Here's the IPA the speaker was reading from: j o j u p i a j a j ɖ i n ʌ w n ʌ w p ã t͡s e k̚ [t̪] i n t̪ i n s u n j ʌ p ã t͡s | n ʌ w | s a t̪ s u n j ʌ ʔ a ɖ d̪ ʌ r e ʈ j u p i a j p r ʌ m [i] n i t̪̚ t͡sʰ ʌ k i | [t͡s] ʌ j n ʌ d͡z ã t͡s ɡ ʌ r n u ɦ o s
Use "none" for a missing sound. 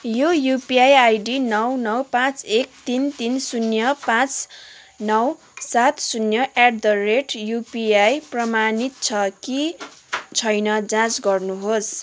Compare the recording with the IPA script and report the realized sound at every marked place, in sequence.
t̪, a, t͡sʰ

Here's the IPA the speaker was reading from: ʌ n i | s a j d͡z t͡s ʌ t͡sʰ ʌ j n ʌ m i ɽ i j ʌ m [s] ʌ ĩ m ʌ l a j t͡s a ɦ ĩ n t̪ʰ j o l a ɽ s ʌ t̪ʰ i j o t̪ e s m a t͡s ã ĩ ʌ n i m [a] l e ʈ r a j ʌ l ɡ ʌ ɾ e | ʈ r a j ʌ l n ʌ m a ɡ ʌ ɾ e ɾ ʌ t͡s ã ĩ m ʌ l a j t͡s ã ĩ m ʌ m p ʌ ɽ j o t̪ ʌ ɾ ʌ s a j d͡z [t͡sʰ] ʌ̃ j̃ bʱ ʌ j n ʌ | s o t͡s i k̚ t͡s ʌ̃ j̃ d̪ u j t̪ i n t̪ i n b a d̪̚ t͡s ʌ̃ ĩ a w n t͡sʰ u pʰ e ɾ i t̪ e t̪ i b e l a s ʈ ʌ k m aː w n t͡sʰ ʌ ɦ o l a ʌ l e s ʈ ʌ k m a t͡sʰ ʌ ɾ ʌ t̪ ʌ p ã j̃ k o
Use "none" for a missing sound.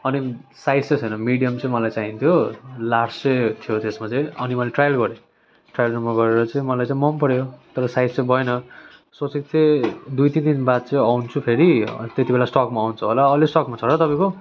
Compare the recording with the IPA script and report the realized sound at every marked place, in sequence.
t͡s, ʌ, t͡s

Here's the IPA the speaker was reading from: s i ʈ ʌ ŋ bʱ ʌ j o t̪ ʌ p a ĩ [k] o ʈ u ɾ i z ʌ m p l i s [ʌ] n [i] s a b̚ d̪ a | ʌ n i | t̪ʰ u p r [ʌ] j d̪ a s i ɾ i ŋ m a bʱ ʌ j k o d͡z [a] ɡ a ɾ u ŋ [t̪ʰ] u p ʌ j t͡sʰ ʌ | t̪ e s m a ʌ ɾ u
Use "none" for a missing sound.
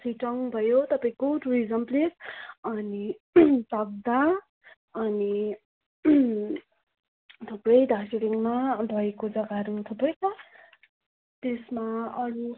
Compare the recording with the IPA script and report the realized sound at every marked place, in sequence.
k, ʌ, i, ʌ, ʌ, t̪ʰ

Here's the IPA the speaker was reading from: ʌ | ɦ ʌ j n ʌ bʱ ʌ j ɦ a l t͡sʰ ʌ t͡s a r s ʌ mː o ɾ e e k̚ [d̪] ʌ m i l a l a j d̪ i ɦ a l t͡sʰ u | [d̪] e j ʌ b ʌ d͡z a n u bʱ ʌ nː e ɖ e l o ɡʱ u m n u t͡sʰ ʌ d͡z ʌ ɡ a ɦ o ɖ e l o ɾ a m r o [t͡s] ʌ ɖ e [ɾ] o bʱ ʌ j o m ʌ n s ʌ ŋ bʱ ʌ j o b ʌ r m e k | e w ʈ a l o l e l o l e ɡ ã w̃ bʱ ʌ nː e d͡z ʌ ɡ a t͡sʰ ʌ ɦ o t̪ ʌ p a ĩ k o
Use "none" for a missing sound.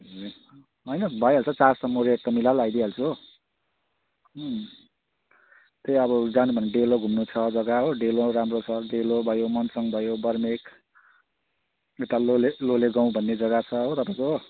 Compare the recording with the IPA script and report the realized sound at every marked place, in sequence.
t̪, t̪, t͡sʰ, l

